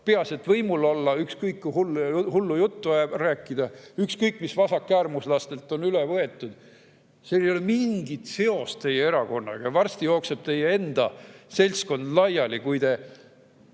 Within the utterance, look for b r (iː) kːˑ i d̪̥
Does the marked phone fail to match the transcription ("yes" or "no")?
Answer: yes